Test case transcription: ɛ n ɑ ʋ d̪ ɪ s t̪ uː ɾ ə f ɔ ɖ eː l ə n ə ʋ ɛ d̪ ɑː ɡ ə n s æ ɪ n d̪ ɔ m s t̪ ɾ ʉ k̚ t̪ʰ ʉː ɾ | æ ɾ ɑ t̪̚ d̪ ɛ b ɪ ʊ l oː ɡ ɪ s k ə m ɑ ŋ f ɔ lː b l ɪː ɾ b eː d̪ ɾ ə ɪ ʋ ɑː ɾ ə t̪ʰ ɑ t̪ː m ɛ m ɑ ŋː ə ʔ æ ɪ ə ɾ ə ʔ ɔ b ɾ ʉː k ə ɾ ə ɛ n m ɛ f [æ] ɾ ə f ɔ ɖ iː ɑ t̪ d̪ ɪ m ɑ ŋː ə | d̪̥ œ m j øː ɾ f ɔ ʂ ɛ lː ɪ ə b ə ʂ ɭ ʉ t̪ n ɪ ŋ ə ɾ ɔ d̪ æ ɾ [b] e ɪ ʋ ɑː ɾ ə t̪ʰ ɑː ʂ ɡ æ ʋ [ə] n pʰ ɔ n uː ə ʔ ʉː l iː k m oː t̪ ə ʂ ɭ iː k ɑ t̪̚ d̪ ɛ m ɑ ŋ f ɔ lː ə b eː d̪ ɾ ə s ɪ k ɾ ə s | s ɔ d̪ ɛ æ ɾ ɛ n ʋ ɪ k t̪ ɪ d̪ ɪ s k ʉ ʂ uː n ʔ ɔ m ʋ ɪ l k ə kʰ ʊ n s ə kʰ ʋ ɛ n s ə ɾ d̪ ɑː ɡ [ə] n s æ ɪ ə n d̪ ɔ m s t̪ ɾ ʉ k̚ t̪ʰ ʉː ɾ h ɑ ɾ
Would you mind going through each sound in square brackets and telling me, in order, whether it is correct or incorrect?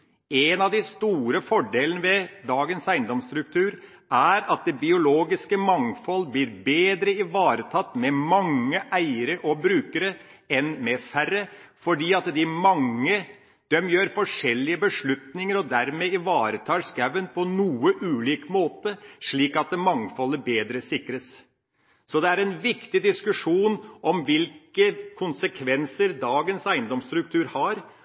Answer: correct, incorrect: m, correct, correct

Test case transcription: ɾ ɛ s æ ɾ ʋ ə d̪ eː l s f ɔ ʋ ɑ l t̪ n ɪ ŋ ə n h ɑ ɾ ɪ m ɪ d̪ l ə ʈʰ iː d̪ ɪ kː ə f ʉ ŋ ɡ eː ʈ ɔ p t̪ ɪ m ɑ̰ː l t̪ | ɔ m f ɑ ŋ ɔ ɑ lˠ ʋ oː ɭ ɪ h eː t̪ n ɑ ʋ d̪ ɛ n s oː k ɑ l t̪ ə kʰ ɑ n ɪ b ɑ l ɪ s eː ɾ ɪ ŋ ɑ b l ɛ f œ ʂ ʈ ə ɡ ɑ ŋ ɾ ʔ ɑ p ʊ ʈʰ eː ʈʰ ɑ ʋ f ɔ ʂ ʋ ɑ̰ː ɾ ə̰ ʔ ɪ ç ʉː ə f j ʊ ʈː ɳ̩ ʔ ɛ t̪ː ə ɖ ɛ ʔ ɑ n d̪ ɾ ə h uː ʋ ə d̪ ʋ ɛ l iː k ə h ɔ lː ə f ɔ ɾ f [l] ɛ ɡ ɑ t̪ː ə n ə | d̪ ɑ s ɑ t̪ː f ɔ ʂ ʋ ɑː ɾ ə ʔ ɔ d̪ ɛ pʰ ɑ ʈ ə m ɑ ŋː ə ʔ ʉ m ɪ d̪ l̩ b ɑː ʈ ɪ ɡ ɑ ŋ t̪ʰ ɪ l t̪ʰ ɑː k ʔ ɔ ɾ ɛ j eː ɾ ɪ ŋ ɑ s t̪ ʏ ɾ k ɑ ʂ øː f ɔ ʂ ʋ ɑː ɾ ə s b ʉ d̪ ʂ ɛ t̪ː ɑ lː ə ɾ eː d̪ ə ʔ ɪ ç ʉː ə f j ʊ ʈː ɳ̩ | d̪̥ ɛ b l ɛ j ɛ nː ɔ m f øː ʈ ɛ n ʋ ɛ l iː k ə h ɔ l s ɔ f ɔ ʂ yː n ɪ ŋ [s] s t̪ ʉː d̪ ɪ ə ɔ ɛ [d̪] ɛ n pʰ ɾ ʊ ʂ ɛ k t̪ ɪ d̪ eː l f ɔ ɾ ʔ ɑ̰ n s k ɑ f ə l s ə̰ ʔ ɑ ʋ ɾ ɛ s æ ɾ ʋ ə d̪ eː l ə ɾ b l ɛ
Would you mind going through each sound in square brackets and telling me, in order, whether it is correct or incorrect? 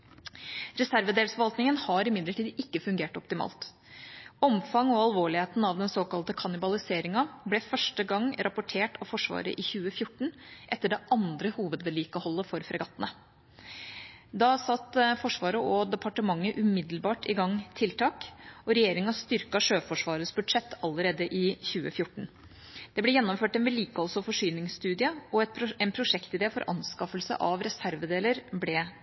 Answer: incorrect: ɾ, correct, incorrect: t̪

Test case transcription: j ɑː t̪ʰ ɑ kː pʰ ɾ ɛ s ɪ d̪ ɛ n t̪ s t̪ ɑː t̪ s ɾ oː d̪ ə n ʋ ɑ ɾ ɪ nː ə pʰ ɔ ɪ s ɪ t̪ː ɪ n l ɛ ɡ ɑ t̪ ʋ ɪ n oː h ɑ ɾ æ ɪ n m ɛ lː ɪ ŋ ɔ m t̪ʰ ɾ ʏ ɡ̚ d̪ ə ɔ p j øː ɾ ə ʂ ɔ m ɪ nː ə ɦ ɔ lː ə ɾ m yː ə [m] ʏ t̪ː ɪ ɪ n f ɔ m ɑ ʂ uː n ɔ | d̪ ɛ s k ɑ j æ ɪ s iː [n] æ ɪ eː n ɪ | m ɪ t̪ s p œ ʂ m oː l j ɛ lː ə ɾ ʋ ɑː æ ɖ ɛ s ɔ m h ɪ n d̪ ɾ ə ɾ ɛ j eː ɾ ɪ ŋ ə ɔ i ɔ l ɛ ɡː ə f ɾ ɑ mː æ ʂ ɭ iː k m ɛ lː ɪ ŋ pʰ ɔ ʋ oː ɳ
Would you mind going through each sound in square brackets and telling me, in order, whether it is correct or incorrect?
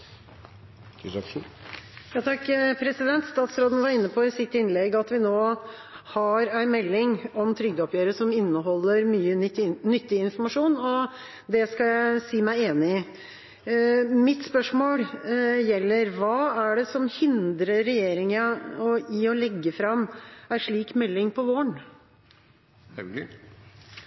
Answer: incorrect: n, incorrect: m

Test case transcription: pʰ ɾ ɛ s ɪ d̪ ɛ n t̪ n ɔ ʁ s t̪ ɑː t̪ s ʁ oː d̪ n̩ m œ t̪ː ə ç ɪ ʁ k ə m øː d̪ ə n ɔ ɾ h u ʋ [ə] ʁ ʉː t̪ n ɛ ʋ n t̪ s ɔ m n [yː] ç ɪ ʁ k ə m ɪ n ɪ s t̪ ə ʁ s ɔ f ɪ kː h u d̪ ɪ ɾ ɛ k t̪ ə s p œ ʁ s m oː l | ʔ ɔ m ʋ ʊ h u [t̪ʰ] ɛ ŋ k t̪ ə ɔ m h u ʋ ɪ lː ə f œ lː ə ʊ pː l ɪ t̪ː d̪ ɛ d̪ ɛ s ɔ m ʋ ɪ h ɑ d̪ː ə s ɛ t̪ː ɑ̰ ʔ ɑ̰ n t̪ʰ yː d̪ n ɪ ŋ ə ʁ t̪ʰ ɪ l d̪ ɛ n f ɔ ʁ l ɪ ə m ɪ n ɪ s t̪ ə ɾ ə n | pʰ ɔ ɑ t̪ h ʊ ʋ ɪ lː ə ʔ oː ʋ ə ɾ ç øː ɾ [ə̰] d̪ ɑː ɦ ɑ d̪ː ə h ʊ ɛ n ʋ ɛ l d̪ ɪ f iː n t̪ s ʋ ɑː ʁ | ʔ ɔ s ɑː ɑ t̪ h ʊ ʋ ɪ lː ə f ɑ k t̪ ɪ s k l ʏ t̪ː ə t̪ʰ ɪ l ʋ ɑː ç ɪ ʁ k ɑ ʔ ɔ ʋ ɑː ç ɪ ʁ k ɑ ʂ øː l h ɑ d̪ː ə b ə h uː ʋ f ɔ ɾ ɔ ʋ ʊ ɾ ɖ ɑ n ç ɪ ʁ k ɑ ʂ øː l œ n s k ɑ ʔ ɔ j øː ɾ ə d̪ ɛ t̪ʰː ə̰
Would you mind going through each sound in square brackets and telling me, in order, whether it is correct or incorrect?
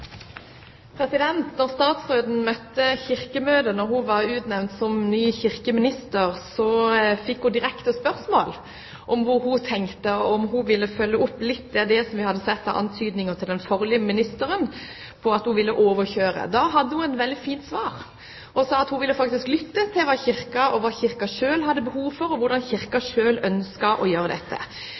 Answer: incorrect: ɑ, correct, correct, correct

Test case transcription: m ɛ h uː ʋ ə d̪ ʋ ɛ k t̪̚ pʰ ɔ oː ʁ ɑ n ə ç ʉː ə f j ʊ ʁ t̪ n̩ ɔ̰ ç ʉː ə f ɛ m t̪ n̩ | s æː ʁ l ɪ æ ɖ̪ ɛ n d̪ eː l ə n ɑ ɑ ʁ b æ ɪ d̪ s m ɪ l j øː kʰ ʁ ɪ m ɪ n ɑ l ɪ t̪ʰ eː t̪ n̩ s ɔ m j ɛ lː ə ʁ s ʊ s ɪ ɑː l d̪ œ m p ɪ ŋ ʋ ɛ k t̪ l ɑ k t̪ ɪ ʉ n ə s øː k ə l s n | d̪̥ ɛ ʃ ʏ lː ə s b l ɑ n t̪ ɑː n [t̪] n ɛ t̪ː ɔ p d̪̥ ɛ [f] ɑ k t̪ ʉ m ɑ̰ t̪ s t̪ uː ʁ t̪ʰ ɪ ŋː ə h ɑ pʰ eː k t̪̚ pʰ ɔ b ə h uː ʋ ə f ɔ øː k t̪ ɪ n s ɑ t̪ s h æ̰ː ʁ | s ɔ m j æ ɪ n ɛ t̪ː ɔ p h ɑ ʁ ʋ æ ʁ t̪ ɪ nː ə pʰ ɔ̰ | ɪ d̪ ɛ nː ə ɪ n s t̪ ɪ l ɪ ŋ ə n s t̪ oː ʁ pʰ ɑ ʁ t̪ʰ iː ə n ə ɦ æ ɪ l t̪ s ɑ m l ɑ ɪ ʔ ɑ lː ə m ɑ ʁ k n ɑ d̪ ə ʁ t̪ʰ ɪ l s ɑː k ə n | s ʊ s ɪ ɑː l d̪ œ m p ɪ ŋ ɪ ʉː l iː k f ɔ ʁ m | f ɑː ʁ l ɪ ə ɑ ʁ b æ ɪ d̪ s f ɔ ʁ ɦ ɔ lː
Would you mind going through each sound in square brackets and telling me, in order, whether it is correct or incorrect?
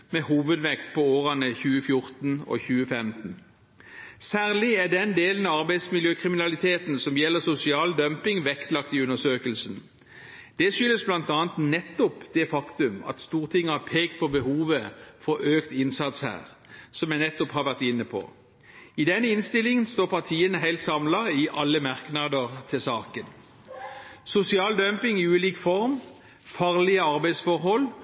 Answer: correct, correct

